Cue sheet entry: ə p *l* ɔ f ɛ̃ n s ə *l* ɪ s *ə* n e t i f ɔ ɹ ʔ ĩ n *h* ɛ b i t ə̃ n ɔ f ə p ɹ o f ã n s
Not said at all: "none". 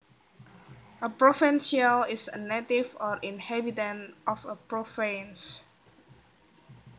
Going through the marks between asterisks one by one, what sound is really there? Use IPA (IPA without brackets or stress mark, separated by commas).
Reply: ɹ, l, ə, h